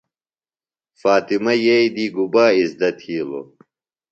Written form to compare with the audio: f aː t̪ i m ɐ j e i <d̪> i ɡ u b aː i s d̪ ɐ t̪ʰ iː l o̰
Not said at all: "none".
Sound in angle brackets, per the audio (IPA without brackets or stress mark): d̪